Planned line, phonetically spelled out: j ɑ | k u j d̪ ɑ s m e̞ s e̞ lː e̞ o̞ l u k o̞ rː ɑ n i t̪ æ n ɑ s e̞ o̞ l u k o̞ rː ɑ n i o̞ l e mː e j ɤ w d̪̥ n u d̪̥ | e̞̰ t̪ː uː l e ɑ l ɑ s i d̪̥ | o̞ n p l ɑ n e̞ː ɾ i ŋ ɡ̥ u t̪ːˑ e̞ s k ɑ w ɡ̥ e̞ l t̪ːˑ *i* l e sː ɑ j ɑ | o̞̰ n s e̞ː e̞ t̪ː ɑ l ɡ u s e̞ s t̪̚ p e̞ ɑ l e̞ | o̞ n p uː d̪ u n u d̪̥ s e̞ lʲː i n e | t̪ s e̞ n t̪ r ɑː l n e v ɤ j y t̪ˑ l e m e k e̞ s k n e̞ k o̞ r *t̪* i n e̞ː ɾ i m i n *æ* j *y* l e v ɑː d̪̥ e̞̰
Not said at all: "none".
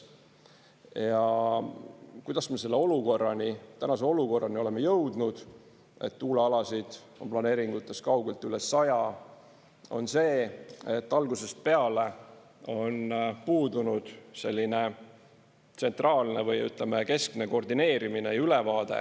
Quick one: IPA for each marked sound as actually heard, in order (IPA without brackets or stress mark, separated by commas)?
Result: y, d̪, e, y